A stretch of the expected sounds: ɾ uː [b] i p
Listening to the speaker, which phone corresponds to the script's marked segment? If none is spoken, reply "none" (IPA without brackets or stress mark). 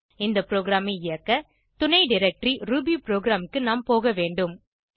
b